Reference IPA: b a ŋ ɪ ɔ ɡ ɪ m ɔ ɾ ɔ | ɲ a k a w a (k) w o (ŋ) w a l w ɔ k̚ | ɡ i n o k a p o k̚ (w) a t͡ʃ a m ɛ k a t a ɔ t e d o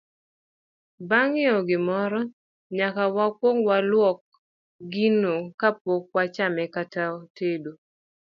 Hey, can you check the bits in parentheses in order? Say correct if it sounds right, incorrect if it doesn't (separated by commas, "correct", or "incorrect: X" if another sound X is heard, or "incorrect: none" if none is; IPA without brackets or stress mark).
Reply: correct, correct, correct